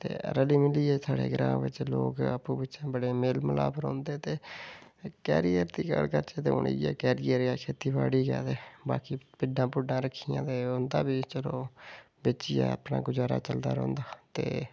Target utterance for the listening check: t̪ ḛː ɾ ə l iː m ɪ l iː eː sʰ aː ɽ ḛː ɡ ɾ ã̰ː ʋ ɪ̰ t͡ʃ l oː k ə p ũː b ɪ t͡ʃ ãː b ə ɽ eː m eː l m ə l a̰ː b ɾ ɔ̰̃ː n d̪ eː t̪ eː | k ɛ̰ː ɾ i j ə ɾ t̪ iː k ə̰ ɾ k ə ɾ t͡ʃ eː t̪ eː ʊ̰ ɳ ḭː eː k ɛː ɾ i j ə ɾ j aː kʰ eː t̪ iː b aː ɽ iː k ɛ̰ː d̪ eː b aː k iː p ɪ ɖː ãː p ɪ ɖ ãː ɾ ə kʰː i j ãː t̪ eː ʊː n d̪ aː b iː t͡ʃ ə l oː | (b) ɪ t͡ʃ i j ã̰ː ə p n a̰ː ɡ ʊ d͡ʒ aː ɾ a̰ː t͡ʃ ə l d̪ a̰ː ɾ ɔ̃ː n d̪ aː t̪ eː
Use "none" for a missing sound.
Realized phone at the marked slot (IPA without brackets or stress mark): b